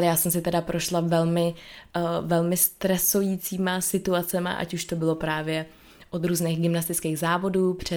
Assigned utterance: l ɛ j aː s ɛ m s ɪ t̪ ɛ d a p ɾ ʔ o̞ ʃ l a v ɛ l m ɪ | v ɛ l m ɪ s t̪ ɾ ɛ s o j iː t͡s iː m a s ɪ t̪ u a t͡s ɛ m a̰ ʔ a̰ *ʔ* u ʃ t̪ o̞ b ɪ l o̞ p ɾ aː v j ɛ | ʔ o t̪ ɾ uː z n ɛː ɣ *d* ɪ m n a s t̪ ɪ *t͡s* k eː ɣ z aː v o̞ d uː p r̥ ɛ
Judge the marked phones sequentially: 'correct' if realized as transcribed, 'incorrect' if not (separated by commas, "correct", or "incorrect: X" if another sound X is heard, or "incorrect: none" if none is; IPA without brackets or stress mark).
incorrect: c, incorrect: ɡ, correct